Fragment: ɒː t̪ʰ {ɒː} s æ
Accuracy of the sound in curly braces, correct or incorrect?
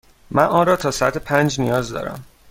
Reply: correct